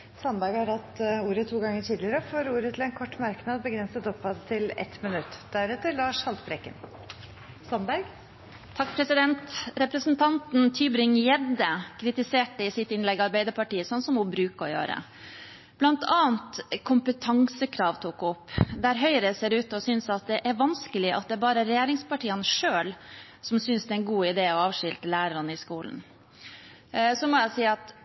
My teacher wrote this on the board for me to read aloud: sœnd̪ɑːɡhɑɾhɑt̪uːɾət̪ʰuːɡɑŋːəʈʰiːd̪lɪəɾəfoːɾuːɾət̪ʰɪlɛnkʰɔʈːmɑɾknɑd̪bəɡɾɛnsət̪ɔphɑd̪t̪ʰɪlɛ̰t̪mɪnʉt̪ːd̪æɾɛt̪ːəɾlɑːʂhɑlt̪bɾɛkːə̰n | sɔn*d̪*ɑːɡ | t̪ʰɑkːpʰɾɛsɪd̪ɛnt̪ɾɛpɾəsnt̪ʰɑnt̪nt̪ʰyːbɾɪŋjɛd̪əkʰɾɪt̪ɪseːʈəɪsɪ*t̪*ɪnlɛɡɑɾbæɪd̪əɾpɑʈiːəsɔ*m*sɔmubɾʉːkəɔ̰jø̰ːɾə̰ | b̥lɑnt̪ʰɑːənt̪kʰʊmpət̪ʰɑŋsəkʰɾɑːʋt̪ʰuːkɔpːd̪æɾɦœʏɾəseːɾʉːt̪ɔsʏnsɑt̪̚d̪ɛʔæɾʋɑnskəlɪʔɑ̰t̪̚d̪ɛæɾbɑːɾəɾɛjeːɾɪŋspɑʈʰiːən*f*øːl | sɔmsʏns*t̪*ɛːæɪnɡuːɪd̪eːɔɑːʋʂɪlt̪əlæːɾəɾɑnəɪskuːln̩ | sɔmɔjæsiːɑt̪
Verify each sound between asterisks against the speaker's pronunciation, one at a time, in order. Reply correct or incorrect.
correct, correct, incorrect: n, incorrect: ʂ, incorrect: d̪

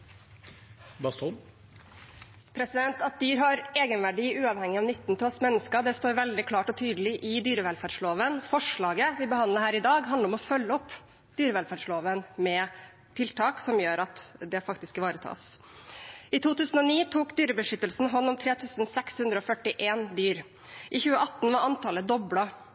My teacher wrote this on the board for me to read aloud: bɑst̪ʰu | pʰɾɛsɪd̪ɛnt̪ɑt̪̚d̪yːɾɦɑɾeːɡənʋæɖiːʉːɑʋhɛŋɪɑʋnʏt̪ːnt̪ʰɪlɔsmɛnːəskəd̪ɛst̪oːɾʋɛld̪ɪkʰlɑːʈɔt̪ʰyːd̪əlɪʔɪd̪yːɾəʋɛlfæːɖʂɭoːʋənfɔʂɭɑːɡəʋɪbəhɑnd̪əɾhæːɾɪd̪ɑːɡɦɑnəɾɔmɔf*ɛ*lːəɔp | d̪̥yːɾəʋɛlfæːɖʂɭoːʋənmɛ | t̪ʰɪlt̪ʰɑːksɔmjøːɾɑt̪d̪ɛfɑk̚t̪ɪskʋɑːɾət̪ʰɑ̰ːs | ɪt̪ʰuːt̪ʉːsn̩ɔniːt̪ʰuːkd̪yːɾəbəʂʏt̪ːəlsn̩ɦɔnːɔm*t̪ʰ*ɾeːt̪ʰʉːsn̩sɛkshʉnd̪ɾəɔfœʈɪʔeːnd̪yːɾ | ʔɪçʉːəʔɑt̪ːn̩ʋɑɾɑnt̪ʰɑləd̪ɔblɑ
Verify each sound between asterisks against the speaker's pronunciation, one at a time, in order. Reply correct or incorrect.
incorrect: œ, correct

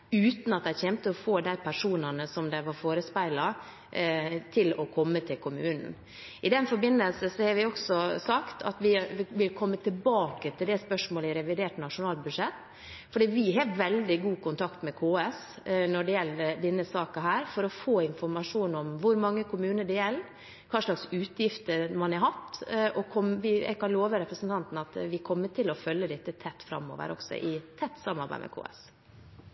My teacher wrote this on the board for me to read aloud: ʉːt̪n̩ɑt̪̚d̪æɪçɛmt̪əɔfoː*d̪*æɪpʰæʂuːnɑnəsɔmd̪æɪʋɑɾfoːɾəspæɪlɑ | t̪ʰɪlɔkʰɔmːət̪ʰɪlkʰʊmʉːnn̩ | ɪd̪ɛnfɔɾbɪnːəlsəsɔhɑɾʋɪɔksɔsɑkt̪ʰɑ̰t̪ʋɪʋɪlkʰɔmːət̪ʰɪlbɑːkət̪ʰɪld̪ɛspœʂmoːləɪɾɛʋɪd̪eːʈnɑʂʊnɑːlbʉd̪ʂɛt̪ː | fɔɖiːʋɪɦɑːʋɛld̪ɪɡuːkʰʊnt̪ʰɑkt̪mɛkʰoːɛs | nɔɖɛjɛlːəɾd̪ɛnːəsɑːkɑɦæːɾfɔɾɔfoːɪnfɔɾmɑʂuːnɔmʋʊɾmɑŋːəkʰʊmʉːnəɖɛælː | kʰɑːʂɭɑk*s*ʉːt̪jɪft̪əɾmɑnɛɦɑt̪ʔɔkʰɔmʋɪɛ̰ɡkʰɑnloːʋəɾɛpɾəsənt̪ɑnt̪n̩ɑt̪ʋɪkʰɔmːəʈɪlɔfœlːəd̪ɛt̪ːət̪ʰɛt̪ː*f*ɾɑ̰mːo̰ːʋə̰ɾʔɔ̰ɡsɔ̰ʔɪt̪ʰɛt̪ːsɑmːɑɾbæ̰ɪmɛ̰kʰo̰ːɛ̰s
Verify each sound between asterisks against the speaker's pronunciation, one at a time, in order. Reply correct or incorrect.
correct, correct, correct

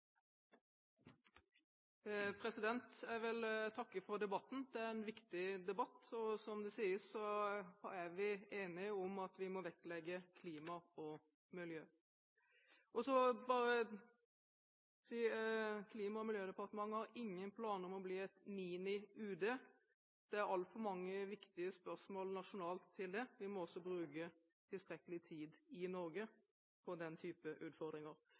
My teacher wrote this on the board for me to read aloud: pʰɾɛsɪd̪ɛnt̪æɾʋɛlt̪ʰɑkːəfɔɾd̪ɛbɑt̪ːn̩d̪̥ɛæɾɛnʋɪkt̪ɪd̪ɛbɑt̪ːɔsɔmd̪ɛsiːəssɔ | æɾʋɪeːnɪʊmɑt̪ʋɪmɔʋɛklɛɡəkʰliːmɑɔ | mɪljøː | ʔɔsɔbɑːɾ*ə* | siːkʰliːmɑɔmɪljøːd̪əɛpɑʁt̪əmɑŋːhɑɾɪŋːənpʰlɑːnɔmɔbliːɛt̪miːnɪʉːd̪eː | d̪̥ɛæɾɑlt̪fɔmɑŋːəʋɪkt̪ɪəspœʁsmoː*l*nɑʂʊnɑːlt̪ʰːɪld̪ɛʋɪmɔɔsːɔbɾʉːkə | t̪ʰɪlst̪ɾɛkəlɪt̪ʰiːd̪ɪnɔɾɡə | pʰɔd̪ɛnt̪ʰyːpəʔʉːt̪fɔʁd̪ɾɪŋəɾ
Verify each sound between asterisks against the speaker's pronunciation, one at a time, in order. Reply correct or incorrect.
correct, correct

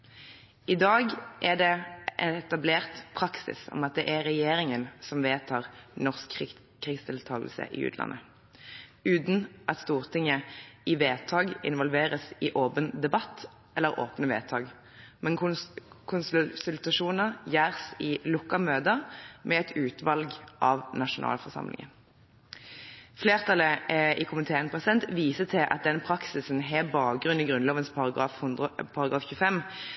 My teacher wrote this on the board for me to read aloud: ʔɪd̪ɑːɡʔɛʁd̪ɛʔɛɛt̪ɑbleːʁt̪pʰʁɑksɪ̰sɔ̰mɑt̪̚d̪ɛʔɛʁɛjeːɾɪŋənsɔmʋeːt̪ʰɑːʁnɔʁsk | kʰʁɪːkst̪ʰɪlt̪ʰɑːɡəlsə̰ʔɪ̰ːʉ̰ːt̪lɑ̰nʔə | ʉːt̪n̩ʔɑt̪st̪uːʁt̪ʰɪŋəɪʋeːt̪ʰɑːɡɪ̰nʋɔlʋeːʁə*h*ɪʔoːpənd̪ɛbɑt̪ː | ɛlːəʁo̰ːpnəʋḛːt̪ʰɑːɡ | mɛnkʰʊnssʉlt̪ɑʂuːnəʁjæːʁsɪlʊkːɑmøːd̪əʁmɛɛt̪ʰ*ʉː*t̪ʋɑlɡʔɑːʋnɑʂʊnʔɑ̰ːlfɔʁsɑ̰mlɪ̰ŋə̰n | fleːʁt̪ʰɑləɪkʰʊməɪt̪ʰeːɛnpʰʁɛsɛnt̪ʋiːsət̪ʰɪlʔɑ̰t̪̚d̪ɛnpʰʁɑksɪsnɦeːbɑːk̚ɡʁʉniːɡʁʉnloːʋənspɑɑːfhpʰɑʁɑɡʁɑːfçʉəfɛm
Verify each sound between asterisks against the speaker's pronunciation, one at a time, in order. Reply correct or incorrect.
incorrect: s, correct

